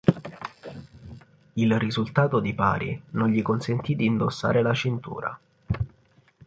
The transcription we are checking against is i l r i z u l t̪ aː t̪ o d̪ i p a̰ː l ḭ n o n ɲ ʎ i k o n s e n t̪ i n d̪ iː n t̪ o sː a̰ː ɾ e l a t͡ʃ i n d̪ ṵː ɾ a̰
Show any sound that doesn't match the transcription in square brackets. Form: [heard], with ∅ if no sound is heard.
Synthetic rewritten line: i l r i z u l t̪ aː t̪ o d̪ i p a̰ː [ɾ] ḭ n o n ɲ ʎ i k o n s e n t̪ i [∅] d̪ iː n [d̪] o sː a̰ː ɾ e l a t͡ʃ i n [t̪] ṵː ɾ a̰